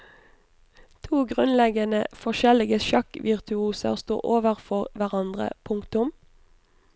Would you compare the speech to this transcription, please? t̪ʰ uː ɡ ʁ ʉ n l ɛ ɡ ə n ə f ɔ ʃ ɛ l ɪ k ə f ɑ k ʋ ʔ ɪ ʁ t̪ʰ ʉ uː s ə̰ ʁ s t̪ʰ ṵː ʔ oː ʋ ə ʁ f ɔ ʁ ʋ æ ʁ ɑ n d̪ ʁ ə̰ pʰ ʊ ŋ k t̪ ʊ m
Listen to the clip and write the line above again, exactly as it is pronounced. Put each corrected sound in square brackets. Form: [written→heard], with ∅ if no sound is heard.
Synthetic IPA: t̪ʰ uː ɡ ʁ ʉ n l ɛ ɡ ə n ə f ɔ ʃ ɛ l ɪ [k→ɡ] ə [f→ʃ] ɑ k ʋ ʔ ɪ ʁ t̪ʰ ʉ uː s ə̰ ʁ s [t̪ʰ→t̪] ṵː ʔ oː ʋ ə ʁ f ɔ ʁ ʋ æ ʁ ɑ n d̪ ʁ ə̰ pʰ ʊ ŋ k t̪ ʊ m